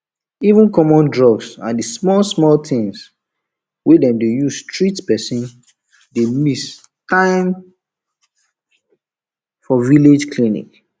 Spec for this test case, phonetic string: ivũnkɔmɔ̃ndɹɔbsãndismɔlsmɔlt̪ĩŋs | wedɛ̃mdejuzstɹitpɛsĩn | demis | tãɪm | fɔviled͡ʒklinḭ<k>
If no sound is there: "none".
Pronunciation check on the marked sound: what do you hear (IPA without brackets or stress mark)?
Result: k